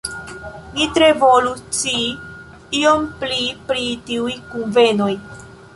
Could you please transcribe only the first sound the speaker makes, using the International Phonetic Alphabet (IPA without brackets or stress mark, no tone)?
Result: n